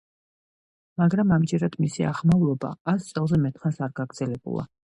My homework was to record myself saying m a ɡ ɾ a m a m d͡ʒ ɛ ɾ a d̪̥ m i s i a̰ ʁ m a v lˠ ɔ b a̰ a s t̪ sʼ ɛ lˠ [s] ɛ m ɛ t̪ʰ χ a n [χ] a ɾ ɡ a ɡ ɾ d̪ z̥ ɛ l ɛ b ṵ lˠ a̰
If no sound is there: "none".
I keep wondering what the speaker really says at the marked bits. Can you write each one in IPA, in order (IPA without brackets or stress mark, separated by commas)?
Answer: z, s